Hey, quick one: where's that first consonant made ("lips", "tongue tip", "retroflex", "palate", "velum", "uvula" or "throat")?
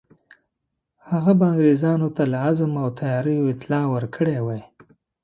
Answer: throat